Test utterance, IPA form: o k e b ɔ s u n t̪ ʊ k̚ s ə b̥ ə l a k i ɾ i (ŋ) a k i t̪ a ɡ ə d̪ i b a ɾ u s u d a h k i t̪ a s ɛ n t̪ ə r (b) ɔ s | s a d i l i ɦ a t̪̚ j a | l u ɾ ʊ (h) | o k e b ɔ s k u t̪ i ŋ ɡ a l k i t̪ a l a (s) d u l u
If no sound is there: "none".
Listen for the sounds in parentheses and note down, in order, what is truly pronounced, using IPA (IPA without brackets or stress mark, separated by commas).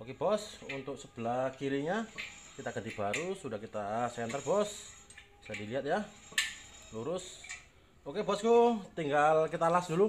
ɲ, b, s, s